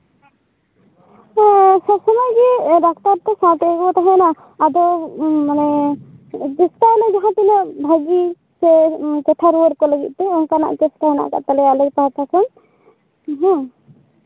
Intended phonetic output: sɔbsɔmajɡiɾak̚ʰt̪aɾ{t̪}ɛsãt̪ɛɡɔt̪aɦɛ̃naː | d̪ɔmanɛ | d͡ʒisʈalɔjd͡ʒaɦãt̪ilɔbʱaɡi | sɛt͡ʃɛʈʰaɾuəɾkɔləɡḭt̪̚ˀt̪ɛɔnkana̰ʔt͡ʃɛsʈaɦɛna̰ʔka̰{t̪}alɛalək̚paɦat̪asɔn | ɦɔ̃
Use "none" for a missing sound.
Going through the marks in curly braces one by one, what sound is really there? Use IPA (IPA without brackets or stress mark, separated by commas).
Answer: t̪, t̪